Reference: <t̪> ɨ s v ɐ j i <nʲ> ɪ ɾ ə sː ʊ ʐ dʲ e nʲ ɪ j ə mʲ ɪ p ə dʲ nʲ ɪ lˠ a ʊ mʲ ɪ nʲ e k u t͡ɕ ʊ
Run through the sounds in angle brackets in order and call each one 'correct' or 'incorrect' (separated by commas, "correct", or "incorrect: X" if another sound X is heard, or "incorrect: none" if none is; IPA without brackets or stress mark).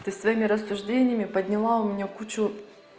correct, incorrect: mʲ